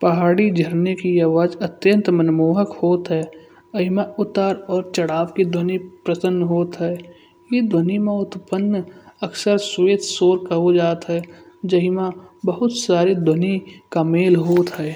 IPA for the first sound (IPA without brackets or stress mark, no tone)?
p